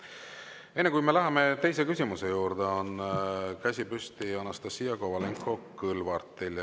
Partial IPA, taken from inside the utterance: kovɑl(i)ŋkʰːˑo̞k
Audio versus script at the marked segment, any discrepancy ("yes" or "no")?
yes